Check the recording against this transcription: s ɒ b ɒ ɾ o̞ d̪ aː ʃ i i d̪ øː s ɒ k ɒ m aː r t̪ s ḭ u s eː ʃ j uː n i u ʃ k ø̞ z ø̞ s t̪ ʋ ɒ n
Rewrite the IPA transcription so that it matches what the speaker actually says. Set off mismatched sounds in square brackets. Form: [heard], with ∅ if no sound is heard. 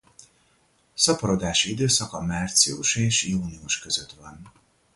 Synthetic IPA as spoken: s ɒ [p] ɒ ɾ o̞ d̪ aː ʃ i i d̪ øː s ɒ k ɒ m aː r t̪ s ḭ u [ʃ] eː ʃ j uː n i u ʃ k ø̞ z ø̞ [∅] t̪ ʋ ɒ n